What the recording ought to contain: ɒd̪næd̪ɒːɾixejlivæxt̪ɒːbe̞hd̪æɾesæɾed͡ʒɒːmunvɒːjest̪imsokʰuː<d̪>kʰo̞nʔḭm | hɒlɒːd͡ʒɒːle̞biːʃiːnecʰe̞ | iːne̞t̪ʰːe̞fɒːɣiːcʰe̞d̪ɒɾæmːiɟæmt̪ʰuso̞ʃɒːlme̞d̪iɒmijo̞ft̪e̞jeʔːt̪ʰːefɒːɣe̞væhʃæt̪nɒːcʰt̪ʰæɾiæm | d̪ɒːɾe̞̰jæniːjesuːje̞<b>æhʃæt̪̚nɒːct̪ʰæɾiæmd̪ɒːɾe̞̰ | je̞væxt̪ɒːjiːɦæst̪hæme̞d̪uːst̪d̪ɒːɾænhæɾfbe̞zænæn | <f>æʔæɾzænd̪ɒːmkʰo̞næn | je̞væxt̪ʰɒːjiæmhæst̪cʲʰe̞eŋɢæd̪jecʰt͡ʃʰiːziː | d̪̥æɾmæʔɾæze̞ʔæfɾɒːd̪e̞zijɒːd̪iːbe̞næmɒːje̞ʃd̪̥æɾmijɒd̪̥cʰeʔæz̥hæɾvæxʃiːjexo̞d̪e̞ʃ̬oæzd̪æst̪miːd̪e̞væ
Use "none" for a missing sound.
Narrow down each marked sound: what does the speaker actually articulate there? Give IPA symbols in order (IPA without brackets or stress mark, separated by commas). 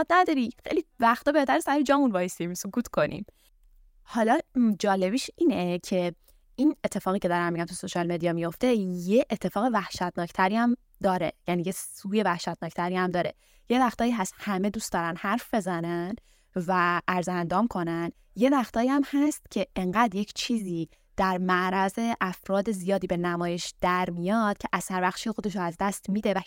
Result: t̪, v, v